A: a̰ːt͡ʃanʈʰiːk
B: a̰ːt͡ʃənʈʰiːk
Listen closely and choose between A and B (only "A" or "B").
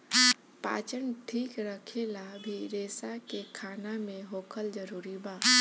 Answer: B